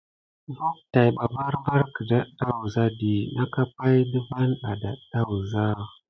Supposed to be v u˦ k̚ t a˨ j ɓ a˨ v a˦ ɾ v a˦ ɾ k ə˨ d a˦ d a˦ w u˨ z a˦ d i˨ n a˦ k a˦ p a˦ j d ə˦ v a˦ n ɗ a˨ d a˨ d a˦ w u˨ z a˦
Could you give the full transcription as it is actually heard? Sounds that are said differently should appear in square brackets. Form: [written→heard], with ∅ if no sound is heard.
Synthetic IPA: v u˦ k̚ t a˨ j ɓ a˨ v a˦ ɾ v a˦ ɾ k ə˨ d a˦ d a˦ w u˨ z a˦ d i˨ n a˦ k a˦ p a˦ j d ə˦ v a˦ n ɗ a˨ d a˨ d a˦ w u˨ z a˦